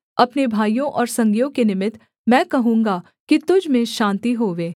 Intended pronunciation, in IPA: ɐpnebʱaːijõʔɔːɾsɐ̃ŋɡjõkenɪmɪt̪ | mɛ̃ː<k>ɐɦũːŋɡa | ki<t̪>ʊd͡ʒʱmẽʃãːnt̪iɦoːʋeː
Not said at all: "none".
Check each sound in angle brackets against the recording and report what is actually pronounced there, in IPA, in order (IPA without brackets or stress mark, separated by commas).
k, t̪